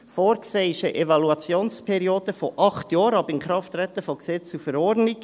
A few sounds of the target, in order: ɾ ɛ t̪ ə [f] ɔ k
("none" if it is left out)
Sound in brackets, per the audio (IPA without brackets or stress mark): f